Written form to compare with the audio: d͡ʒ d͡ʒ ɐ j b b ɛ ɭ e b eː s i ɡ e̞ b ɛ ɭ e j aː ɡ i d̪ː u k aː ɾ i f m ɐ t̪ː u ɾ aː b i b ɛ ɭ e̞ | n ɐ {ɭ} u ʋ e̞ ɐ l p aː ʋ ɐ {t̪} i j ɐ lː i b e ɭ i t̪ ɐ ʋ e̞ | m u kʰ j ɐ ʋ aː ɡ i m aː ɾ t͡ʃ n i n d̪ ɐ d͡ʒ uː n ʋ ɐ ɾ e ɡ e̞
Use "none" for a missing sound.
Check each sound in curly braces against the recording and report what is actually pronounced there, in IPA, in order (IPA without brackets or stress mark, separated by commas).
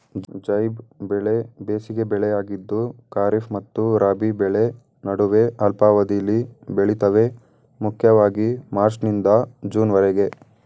ɽ, d̪